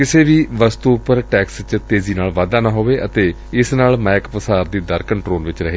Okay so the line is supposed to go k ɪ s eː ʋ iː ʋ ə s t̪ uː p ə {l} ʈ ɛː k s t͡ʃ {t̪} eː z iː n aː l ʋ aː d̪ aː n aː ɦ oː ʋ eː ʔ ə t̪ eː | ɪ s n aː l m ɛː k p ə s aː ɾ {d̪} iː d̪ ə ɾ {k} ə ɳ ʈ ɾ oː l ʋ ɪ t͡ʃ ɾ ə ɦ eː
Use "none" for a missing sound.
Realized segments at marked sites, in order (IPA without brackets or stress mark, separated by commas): ɾ, t̪, d̪, k